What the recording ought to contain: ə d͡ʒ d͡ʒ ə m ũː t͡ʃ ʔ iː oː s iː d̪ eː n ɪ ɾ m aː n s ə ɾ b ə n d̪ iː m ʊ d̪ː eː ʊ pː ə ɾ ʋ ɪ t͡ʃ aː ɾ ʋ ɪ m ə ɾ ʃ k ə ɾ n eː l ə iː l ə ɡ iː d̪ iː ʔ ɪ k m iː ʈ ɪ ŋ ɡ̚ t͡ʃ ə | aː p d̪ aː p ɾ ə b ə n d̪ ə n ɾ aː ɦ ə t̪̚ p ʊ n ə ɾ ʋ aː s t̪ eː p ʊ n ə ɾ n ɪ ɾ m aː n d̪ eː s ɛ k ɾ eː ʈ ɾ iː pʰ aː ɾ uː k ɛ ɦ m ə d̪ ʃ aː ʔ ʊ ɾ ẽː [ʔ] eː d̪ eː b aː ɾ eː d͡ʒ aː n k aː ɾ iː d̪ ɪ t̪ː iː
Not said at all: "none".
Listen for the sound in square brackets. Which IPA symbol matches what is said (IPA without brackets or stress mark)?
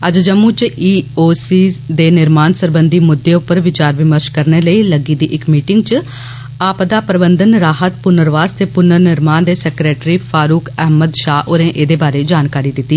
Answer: ʔ